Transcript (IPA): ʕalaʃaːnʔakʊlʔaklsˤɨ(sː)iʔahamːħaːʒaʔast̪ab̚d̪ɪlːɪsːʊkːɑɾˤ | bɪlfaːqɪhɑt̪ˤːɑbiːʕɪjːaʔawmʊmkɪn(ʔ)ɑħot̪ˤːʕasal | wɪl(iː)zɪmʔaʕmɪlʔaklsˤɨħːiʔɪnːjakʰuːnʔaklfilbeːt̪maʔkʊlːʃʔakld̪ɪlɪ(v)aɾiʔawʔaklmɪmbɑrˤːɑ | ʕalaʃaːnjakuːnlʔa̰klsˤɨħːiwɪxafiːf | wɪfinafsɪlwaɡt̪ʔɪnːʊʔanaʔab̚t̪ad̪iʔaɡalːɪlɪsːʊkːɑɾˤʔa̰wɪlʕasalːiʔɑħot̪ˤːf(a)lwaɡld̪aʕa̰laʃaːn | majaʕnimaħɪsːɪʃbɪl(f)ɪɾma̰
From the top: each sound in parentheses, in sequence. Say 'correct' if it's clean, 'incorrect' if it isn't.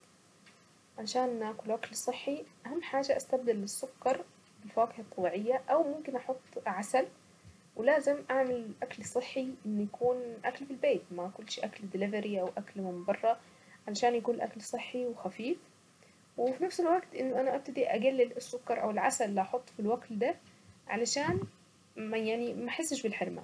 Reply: incorrect, correct, incorrect, correct, incorrect, incorrect

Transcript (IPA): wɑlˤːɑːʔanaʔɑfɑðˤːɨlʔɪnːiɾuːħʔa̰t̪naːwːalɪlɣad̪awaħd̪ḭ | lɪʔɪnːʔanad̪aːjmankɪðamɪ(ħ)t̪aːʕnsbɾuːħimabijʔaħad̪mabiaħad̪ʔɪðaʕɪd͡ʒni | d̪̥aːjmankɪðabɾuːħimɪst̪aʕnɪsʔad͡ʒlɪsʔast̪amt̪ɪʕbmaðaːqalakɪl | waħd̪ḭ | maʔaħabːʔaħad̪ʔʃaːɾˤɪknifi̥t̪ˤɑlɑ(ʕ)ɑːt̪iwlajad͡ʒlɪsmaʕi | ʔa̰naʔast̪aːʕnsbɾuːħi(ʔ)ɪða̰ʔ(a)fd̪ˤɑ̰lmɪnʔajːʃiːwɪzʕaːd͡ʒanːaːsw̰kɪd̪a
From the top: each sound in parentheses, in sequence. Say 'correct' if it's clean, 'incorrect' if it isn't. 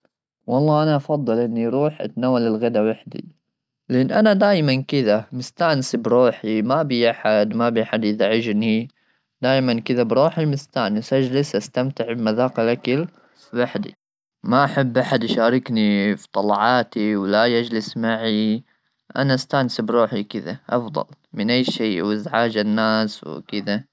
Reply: incorrect, correct, incorrect, incorrect

